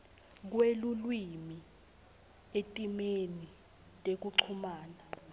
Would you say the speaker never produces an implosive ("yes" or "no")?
yes